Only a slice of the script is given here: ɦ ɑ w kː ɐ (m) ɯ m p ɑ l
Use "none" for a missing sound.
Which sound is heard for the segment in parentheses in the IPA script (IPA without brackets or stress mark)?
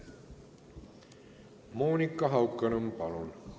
n